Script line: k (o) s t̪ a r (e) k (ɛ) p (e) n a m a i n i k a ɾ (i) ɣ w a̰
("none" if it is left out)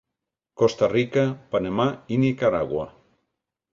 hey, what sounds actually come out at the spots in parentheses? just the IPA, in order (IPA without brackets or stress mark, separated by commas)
o, i, a, a, a